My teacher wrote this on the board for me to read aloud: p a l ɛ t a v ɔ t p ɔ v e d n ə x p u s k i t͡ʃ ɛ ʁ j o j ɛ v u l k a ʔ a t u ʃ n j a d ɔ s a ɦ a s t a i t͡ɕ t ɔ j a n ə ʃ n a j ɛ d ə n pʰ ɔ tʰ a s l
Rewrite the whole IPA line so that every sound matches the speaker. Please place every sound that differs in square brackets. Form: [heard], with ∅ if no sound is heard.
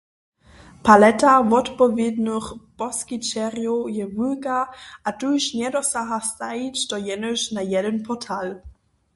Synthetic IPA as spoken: p a l ɛ t a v ɔ t p ɔ v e d n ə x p [ɔ] s k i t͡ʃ ɛ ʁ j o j ɛ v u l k a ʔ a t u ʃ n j [ɛ] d ɔ s a ɦ a s t a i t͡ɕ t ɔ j [ɛ] n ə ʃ n a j ɛ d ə n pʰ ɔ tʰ a [∅] l